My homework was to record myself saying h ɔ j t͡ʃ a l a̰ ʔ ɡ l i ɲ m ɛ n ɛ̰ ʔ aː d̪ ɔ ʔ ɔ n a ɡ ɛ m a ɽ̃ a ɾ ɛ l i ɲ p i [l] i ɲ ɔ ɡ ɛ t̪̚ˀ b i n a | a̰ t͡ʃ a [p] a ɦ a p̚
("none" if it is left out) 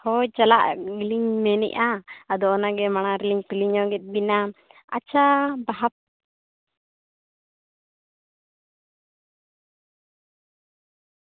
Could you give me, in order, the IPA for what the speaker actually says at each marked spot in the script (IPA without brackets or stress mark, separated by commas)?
l, b